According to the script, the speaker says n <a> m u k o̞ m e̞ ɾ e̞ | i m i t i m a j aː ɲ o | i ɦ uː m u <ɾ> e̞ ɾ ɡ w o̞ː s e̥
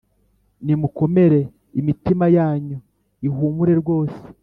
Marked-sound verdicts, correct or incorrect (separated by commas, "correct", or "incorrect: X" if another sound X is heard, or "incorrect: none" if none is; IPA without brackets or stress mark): incorrect: i, correct